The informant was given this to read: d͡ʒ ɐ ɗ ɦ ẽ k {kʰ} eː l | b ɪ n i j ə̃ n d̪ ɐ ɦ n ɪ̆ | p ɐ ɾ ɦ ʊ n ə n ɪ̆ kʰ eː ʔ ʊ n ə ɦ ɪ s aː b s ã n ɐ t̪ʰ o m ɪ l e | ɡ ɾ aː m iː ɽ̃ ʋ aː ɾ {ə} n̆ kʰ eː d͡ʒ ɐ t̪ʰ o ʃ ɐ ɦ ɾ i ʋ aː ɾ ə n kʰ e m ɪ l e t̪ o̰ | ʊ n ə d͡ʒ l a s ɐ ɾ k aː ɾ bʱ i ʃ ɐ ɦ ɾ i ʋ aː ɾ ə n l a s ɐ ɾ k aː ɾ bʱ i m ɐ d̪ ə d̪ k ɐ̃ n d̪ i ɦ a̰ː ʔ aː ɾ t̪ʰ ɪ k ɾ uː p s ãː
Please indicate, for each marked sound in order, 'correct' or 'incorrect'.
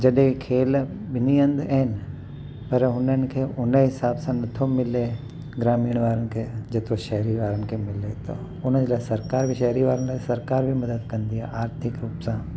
correct, correct

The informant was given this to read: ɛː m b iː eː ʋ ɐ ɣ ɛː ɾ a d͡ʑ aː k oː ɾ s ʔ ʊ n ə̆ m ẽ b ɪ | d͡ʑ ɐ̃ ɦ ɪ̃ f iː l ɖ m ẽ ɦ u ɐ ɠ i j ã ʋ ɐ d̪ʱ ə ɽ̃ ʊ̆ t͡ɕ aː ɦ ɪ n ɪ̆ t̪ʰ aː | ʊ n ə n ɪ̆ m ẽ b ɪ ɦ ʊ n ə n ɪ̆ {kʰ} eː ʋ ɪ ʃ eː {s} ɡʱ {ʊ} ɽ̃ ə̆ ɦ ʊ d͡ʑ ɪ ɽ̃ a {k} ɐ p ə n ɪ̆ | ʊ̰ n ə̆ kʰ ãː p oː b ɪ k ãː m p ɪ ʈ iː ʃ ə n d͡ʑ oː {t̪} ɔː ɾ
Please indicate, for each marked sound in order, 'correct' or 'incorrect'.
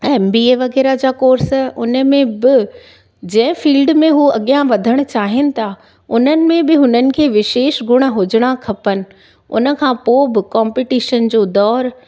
correct, incorrect: ʃ, correct, incorrect: kʰ, incorrect: d̪

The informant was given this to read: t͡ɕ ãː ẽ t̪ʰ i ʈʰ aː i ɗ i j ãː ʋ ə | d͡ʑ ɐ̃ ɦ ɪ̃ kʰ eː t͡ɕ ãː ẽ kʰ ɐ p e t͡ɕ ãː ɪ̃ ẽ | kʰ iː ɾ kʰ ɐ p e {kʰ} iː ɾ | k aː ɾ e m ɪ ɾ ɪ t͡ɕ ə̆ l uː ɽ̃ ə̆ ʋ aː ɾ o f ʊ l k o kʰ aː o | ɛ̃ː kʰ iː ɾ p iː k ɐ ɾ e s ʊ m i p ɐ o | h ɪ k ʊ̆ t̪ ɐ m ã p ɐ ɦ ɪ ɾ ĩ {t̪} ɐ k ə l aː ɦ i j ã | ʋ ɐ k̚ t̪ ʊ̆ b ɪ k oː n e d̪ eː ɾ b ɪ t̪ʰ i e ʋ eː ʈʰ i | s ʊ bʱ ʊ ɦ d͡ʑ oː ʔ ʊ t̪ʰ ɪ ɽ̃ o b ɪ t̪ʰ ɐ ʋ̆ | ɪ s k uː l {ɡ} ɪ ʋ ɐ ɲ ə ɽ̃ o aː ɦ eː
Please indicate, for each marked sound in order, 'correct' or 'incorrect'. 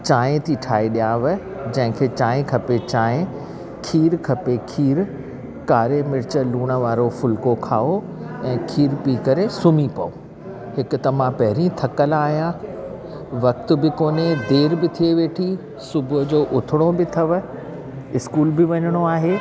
correct, incorrect: t̪ʰ, incorrect: b

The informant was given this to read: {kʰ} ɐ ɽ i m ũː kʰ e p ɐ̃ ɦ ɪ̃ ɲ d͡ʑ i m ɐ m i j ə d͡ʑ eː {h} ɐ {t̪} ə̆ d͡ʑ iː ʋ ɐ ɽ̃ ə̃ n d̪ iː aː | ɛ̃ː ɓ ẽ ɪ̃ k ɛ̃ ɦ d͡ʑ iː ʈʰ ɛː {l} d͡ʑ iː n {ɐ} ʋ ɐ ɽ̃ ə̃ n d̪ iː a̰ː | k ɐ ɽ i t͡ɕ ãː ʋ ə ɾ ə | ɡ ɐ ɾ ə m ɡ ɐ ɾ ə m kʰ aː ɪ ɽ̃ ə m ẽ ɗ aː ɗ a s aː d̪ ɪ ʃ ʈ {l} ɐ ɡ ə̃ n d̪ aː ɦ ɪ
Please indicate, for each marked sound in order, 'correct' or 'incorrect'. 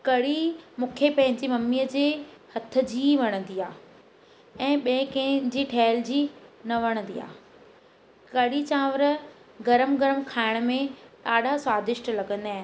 incorrect: k, correct, incorrect: t̪ʰ, correct, correct, correct

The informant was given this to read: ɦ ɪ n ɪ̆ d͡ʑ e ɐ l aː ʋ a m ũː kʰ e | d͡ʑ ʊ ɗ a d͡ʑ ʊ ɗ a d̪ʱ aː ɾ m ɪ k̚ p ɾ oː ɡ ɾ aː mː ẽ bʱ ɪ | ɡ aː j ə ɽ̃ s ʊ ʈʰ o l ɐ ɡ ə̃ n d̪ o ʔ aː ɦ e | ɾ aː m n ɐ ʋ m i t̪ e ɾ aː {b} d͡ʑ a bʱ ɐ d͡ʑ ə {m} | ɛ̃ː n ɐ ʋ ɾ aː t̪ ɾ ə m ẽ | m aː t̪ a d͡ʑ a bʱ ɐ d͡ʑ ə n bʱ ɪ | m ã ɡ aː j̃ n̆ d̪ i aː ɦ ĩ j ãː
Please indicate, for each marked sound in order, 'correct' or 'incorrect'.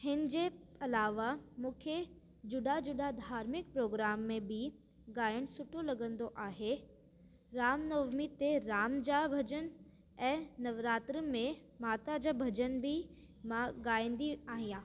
incorrect: m, incorrect: n

